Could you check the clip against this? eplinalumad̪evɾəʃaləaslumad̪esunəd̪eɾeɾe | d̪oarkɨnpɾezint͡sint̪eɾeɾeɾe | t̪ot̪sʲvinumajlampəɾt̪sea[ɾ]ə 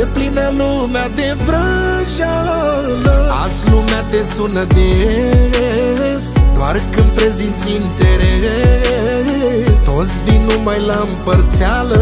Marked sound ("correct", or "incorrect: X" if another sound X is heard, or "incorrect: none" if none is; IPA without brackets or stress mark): incorrect: l